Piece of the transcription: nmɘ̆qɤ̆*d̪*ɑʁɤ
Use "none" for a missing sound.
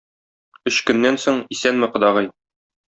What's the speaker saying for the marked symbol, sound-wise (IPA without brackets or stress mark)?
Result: d̪